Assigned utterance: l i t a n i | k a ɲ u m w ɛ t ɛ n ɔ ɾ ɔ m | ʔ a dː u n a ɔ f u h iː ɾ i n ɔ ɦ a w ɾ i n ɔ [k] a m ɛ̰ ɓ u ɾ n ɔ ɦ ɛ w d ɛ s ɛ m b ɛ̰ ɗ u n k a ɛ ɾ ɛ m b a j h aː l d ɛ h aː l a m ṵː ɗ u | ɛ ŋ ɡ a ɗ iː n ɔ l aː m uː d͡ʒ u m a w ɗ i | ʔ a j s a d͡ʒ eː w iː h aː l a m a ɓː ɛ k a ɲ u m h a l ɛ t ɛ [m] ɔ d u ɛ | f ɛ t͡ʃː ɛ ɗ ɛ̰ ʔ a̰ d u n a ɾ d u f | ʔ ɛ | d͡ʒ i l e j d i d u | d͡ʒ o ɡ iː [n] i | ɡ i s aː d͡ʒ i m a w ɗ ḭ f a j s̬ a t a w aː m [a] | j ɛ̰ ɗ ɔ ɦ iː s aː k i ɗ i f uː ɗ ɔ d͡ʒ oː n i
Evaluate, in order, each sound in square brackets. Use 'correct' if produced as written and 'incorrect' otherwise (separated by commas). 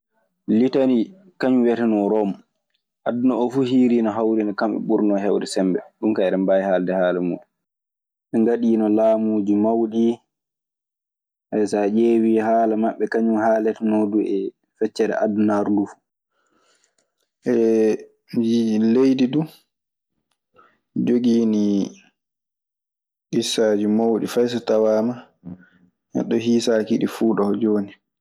correct, incorrect, correct, correct